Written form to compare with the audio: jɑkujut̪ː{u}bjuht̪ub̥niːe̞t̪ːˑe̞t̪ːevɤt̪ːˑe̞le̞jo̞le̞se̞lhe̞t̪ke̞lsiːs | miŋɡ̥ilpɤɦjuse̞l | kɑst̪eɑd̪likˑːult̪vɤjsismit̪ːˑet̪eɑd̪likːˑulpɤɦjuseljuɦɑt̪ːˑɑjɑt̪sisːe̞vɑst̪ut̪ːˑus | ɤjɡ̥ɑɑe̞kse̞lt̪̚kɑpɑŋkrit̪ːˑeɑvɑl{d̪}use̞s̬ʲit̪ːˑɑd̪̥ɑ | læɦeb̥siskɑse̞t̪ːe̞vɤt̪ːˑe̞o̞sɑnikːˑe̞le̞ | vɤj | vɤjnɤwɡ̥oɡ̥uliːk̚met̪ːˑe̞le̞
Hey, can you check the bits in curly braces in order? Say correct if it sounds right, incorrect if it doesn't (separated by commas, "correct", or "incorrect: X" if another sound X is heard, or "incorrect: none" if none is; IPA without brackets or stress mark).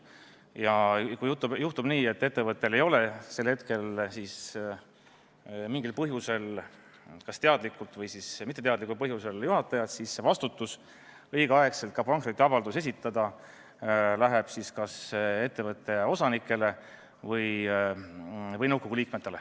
correct, correct